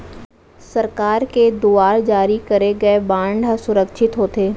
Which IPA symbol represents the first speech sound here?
s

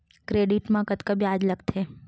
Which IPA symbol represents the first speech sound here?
k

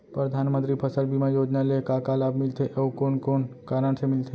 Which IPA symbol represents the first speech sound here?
p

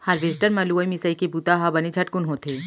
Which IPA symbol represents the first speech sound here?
h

